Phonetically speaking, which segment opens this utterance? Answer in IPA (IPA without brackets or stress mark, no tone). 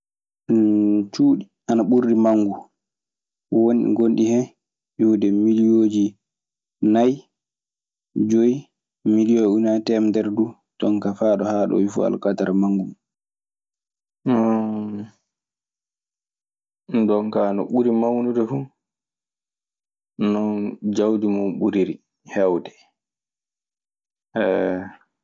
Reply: t͡ʃ